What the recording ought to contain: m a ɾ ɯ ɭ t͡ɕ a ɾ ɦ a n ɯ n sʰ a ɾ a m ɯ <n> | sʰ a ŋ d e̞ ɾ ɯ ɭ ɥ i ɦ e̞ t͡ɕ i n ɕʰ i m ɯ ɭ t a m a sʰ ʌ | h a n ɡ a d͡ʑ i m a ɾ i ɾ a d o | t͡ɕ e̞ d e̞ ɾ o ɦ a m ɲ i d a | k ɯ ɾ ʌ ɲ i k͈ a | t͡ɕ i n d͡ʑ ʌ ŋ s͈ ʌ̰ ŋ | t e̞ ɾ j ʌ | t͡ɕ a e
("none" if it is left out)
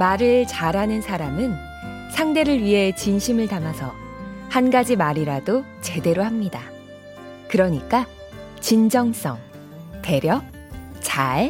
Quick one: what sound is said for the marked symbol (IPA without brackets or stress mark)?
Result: n